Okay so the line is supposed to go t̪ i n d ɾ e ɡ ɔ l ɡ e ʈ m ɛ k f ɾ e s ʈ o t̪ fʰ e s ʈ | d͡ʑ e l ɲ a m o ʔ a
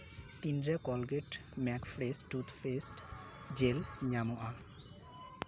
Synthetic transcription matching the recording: t̪ i n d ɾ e k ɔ l ɡ e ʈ m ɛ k f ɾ e s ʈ u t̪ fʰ e s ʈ | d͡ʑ e l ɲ a m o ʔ a